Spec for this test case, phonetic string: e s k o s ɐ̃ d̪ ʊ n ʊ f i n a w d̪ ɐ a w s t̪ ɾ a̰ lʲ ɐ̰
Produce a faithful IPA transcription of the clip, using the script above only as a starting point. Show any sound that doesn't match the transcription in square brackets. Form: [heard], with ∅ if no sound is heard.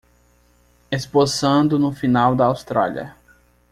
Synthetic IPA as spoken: e s [p] o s ɐ̃ d̪ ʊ n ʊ f i n a w d̪ ɐ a w s t̪ ɾ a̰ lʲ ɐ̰